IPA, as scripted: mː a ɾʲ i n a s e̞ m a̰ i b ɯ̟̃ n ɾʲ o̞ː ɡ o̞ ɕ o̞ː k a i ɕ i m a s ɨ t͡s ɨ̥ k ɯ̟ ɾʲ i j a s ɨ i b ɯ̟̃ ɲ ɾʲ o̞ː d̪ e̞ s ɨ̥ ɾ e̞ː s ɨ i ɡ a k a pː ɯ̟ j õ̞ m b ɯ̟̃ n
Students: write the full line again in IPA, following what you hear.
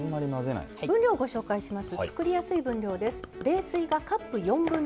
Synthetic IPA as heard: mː a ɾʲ i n a z e̞ n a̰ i b ɯ̟̃ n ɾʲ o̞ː ɡ o̞ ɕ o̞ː k a i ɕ i m a s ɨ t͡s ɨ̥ k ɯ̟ ɾʲ i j a s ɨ i b ɯ̟̃ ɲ ɾʲ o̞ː d̪ e̞ s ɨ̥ ɾ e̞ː s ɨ i ɡ a k a pː ɯ̟ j õ̞ m b ɯ̟̃ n